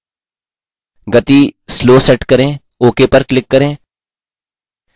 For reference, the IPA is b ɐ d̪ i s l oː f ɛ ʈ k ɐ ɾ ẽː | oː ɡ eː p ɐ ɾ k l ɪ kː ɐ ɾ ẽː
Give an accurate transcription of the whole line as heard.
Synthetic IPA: ɡ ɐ t̪ i s l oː s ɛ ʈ k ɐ ɾ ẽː | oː k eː p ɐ ɾ k l ɪ kː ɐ ɾ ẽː